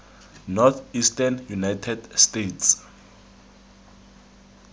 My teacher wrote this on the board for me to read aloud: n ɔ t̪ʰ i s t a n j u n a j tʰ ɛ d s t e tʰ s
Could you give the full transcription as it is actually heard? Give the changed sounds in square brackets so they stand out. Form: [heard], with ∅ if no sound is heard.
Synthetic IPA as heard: n ɔ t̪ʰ i s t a n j u n a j tʰ ɛ d s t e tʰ s